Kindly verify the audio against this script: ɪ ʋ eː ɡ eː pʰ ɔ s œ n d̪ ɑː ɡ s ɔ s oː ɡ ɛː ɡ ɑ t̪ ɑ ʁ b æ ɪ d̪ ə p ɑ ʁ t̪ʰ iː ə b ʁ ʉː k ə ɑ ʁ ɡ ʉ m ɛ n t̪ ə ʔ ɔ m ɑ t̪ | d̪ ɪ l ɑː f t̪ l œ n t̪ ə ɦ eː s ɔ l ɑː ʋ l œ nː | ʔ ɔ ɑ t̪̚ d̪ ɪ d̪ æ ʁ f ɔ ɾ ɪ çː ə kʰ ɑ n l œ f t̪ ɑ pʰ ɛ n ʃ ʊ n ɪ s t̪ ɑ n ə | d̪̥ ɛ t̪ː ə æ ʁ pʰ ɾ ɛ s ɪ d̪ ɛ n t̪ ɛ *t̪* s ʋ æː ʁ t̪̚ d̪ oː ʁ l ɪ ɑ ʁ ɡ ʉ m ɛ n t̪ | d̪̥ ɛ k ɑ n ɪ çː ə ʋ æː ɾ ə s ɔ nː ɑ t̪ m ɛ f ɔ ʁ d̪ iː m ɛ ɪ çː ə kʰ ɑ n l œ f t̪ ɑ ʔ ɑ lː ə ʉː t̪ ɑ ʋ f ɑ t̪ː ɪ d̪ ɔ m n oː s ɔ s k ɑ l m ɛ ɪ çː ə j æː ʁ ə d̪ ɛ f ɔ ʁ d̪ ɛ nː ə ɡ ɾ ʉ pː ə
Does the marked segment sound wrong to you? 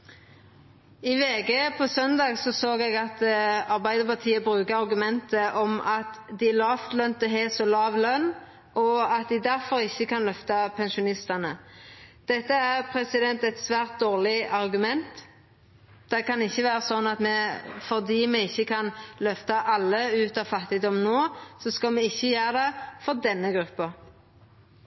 no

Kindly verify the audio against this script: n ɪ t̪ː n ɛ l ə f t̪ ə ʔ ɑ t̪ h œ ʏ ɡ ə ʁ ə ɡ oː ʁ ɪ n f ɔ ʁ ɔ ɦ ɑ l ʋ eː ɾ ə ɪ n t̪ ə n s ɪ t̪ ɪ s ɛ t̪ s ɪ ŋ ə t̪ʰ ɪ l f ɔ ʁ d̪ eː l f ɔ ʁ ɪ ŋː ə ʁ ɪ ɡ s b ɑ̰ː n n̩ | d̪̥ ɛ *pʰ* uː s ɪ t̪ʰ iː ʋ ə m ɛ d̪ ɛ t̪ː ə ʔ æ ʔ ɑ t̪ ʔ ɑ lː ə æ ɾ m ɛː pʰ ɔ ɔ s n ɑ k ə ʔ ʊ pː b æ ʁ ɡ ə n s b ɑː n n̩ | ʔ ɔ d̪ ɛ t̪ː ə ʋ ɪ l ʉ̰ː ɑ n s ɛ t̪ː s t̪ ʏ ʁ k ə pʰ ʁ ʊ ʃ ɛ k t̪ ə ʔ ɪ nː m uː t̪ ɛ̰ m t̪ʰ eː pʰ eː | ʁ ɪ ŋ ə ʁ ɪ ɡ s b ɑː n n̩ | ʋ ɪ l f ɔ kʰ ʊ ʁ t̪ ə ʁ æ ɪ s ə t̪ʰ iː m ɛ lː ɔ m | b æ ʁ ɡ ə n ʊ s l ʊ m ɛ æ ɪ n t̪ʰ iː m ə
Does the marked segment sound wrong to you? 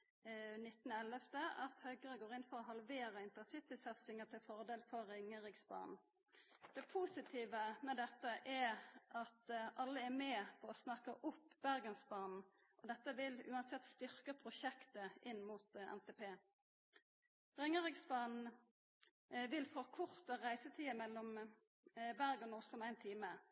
no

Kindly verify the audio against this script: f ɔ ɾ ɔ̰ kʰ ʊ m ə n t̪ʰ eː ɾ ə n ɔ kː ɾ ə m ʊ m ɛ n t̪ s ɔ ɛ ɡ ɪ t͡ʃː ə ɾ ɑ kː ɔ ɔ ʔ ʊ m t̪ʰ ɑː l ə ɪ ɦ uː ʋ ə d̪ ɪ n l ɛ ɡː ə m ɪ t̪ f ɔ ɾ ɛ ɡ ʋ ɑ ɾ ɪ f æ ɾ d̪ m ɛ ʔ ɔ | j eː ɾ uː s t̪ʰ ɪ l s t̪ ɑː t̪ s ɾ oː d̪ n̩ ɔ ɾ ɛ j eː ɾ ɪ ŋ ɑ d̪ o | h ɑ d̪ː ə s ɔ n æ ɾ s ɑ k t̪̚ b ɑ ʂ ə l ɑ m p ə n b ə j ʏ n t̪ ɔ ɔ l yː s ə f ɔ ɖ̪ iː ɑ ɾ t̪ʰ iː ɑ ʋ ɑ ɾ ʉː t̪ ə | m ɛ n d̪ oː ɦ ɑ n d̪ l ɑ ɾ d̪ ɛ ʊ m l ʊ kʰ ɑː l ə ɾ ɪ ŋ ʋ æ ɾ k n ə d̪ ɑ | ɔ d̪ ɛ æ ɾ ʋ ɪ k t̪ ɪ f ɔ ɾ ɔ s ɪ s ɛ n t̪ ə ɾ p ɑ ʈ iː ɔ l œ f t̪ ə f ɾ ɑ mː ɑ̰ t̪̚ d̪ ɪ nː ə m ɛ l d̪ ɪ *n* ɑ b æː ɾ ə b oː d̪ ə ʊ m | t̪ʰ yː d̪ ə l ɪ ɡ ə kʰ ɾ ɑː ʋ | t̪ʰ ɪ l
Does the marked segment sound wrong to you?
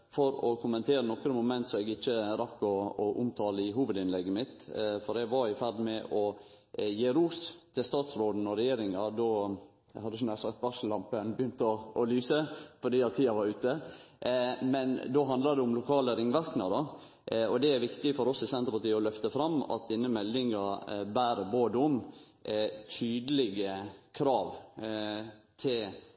yes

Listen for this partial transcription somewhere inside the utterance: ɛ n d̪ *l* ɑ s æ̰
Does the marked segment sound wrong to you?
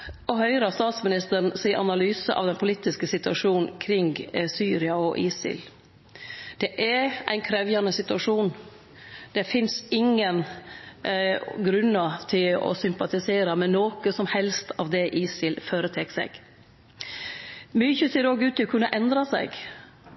yes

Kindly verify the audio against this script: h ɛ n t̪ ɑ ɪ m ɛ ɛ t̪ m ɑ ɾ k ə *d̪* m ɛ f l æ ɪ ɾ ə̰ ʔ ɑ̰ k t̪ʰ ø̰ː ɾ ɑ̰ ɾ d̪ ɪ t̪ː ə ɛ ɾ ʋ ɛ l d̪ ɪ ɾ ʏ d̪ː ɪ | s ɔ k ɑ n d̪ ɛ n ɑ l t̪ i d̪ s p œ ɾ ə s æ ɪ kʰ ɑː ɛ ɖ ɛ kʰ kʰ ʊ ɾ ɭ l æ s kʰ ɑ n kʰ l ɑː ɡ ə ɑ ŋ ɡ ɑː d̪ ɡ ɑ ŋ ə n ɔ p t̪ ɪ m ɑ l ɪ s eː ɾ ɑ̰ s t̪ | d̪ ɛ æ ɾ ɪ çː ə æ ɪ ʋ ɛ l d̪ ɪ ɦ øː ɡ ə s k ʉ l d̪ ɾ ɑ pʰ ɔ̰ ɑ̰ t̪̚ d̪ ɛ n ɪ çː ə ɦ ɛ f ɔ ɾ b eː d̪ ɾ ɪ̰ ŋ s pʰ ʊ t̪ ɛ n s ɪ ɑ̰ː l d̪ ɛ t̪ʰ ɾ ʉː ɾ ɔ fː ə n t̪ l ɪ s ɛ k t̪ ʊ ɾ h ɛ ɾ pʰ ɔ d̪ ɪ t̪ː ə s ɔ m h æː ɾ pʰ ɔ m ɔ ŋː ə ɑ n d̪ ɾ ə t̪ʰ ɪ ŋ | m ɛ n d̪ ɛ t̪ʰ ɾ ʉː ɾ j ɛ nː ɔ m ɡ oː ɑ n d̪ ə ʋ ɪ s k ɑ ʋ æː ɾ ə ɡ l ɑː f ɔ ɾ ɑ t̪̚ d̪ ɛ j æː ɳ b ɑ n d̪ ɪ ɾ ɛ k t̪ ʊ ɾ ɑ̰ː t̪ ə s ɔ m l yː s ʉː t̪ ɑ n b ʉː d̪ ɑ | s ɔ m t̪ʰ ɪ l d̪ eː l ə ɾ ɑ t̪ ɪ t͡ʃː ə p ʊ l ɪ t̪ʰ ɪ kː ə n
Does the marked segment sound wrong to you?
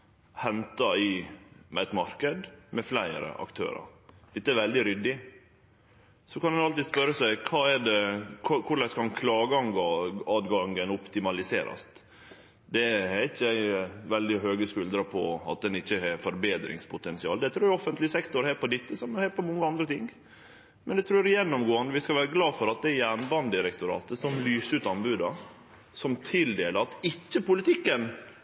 no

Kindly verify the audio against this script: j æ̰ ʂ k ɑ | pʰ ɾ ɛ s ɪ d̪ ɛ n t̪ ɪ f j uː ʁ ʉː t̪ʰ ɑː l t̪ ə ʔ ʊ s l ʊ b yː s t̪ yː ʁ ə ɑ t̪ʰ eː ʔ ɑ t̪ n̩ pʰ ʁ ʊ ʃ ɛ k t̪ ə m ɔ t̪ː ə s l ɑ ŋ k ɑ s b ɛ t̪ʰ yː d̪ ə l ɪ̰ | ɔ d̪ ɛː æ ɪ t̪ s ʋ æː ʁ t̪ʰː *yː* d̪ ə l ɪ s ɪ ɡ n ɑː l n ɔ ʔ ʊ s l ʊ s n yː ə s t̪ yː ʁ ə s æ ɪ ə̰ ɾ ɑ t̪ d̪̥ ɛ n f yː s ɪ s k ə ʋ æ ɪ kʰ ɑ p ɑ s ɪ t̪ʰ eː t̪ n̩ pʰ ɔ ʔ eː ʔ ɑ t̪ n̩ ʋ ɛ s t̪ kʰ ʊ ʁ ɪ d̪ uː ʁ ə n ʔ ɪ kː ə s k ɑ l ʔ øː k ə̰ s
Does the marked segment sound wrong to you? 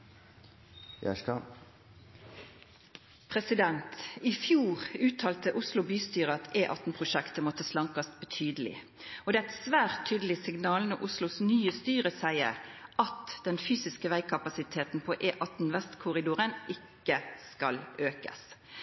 no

